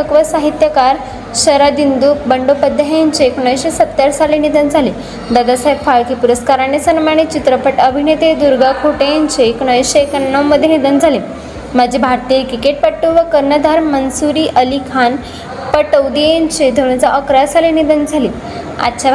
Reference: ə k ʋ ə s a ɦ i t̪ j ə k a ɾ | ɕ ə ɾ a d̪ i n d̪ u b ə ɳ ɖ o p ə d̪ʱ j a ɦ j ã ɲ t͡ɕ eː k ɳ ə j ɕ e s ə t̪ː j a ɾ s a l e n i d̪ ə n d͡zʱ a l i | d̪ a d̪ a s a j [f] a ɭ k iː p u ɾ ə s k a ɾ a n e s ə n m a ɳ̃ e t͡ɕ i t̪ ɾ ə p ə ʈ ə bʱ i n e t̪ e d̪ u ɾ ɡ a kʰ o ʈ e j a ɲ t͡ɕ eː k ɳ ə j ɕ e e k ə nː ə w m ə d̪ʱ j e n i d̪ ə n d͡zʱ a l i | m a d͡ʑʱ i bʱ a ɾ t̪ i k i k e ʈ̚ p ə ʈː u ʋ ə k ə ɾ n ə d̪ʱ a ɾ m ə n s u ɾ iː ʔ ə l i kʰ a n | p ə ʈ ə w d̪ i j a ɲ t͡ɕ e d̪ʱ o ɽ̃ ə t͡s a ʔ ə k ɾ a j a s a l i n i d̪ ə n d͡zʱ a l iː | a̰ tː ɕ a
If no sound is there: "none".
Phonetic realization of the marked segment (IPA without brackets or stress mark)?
f